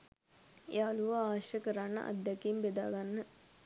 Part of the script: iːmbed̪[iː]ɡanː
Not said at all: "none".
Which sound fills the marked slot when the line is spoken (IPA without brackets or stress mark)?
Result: aː